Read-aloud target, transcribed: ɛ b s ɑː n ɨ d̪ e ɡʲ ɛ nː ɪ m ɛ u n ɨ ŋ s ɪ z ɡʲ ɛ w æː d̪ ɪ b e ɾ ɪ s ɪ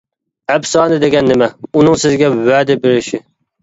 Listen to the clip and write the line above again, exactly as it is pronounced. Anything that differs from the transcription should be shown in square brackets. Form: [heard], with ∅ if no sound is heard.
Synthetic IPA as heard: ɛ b s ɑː n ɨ d̪ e ɡʲ ɛ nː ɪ m ɛ u n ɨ ŋ s ɪ z ɡʲ ɛ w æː d̪ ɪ b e ɾ ɪ [ʃ] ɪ